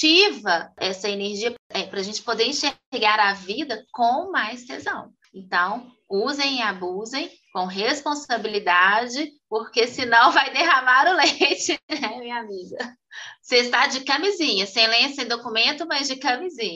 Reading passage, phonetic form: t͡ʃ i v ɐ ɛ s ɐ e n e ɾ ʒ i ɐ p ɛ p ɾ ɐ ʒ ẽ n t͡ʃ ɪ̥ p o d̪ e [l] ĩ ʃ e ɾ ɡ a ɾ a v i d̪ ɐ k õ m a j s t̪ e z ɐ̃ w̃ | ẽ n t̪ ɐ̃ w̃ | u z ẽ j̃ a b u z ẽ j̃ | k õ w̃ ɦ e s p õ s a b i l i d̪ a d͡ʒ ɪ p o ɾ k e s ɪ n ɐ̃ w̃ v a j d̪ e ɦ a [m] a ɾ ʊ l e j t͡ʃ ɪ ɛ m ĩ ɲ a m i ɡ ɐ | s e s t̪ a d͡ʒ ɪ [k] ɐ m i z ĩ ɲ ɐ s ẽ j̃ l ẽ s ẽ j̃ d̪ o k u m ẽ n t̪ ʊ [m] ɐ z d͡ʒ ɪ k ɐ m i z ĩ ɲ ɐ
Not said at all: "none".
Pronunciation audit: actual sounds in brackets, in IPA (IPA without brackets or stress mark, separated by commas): ɾ, m, k, m